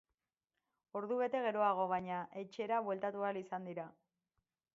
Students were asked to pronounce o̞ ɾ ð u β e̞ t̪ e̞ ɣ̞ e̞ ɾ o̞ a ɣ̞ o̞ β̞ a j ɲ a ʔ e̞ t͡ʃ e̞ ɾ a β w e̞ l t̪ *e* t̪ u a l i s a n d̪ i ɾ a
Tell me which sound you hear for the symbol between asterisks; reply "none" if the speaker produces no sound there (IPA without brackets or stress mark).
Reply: a